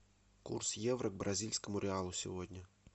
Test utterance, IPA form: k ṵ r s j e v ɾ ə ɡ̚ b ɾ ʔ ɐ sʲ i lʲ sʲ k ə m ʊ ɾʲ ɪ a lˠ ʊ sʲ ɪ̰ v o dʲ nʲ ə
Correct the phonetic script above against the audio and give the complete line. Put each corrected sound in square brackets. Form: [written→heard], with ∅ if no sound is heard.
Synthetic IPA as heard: k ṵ r s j e v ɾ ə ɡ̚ b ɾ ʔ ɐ [sʲ→zʲ] i lʲ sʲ k ə m ʊ ɾʲ ɪ a lˠ ʊ sʲ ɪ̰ v o dʲ nʲ ə

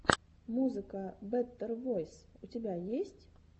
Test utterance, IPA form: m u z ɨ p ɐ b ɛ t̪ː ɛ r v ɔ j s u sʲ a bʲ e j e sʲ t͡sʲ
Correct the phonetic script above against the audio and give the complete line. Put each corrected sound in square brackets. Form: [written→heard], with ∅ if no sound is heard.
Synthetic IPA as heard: m u z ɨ [p→k] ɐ b ɛ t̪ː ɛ r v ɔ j s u [sʲ→t͡sʲ] a bʲ [e→a] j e sʲ t͡sʲ

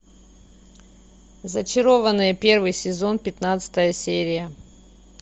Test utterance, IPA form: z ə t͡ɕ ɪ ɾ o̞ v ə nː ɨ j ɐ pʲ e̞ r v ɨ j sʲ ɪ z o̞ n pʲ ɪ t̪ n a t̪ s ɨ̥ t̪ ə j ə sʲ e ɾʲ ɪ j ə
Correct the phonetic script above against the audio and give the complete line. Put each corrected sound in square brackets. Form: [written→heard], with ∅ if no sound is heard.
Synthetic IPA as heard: z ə t͡ɕ ɪ ɾ o̞ v ə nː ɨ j [ɐ→ə] pʲ e̞ r v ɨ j sʲ ɪ z o̞ n pʲ ɪ t̪ n a t̪ s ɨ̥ t̪ ə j ə sʲ e ɾʲ ɪ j ə

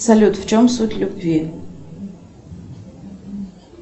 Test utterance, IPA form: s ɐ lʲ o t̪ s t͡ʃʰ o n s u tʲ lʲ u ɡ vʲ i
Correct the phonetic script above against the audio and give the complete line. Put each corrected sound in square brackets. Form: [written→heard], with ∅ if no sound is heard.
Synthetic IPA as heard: s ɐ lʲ [o→u] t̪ [s→f] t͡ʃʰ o [n→m] s u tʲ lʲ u [ɡ→b] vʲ i

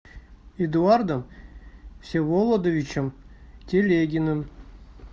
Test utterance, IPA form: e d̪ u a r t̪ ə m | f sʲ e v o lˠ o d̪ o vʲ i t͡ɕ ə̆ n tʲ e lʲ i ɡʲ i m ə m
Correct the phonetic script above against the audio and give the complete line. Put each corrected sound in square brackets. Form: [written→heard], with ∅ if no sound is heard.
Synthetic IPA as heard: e d̪ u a r [t̪→d̪] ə m | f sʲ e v o lˠ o d̪ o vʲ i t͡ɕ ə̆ [n→m] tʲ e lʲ [i→e] ɡʲ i [m→n] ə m

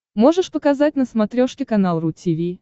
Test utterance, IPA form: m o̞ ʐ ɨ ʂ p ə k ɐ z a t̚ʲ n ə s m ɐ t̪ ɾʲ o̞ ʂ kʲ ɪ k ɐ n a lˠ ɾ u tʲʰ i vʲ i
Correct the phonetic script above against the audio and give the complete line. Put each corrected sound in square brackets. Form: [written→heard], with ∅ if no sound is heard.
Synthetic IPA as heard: m o̞ ʐ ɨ ʂ p ə k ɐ z a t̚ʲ n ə s m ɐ t̪ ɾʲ o̞ ʂ kʲ ɪ k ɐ n a lˠ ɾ u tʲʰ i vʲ i

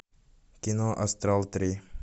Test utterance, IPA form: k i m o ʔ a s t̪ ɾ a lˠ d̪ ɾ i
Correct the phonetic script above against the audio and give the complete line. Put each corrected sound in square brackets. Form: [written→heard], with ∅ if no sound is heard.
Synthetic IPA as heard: k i [m→n] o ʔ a s t̪ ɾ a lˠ [d̪→t̪] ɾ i

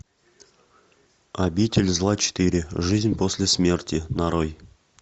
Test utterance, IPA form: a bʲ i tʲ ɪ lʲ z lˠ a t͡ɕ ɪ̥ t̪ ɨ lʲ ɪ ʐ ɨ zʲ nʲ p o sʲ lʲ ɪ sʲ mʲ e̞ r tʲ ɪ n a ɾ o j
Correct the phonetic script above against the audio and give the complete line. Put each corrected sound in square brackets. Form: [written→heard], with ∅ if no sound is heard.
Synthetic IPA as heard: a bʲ i tʲ ɪ lʲ z lˠ a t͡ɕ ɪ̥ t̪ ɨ [lʲ→ɾʲ] ɪ ʐ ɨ zʲ nʲ p o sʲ lʲ ɪ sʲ mʲ e̞ r tʲ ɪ n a ɾ o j

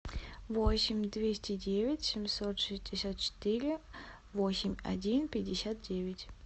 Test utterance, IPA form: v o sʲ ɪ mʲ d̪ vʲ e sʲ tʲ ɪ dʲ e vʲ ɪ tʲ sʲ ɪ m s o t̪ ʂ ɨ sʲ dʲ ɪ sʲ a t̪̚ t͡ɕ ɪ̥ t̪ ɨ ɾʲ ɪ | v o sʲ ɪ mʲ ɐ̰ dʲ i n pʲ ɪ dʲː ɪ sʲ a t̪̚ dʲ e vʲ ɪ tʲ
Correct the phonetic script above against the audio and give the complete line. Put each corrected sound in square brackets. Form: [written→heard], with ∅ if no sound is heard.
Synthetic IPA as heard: v o sʲ ɪ mʲ d̪ vʲ e sʲ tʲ ɪ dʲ e vʲ ɪ tʲ sʲ ɪ m s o t̪ ʂ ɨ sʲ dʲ ɪ sʲ a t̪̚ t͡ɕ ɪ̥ t̪ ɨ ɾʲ ɪ | v o sʲ ɪ mʲ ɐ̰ dʲ i n pʲ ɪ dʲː ɪ sʲ a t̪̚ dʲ e vʲ ɪ tʲ

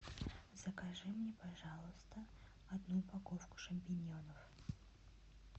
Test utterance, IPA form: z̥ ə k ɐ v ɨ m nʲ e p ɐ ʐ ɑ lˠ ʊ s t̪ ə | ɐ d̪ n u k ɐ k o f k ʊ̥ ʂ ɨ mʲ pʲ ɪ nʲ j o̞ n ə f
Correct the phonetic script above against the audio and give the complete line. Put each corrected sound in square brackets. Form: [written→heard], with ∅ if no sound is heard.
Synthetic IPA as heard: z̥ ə k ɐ [v→ʐ] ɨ m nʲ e p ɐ ʐ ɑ lˠ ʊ s t̪ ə | ɐ d̪ n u [k→p] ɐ k o f k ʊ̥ ʂ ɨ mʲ pʲ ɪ nʲ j o̞ n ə f

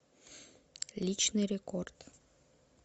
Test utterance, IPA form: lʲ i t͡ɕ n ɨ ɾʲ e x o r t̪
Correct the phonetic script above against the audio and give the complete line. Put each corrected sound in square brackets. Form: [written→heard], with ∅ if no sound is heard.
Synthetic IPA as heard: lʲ i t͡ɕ n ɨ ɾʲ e [x→k] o r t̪

